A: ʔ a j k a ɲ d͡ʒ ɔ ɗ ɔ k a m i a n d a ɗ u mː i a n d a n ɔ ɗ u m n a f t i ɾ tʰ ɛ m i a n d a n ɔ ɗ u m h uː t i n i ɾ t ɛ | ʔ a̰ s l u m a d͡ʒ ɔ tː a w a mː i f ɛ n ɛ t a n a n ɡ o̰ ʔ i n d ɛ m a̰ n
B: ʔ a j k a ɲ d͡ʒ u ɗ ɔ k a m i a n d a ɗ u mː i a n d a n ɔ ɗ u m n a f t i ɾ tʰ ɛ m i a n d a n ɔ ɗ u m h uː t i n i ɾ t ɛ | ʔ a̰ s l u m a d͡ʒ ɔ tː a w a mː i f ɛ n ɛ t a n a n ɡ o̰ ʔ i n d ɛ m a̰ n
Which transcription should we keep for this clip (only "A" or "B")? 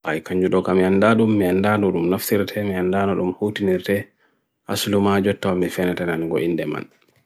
B